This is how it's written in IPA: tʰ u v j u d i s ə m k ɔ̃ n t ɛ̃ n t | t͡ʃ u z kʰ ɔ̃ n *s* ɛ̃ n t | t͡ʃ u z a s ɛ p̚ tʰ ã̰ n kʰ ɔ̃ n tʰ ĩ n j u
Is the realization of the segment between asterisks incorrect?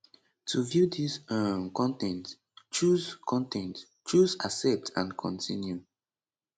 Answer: yes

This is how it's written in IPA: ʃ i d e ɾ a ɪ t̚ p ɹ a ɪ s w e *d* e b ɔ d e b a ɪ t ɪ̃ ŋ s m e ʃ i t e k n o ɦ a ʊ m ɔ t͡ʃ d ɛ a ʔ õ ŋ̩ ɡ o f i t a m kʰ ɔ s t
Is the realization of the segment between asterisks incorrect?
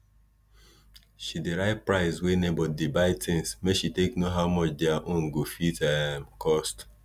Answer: yes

